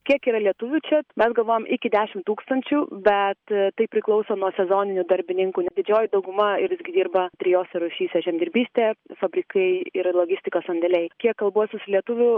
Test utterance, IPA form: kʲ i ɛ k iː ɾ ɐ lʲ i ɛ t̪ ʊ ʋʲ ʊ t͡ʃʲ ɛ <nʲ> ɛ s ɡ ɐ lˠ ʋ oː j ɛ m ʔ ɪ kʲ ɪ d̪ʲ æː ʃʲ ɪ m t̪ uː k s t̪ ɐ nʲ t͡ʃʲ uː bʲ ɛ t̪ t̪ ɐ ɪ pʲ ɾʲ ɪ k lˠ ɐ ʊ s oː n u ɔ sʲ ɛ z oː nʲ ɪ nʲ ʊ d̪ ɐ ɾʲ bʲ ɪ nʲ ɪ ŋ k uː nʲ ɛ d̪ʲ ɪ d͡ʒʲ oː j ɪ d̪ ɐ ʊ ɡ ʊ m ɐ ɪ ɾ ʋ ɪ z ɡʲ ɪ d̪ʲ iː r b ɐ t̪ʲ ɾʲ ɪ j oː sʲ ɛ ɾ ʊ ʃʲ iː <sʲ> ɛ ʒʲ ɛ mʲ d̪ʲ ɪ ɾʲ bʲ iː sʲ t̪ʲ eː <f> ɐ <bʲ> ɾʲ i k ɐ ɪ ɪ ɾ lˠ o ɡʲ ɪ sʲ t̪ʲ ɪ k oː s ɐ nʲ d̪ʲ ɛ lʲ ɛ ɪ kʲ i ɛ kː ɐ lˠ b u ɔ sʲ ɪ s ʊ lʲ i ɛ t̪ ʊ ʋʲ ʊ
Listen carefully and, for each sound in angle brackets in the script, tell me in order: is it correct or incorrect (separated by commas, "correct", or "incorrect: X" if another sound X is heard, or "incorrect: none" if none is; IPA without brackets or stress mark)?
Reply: incorrect: mʲ, correct, correct, correct